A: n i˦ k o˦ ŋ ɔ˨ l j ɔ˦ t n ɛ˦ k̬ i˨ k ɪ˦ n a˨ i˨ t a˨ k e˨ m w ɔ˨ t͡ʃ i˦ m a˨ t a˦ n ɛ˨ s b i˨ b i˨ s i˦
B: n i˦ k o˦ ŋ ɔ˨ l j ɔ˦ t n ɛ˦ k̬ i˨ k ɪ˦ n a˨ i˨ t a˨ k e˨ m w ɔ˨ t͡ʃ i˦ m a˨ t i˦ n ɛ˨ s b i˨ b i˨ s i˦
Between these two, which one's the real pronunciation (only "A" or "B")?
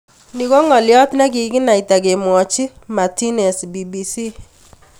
B